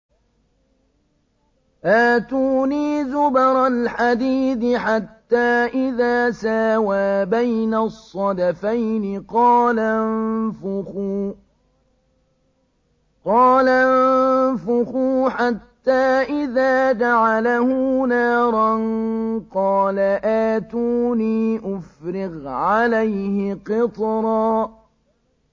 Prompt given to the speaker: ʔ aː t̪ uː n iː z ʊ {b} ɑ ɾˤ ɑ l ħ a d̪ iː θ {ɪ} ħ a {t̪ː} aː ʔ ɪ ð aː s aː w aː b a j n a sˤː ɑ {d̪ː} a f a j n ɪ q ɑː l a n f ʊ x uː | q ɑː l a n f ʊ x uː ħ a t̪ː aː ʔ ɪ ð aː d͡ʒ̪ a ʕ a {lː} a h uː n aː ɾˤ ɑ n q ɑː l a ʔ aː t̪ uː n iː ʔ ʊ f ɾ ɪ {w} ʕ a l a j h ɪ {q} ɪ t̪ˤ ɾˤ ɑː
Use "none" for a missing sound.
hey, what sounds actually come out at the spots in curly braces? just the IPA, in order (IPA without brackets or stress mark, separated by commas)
b, ɪ, t̪ː, d̪, l, ɣ, q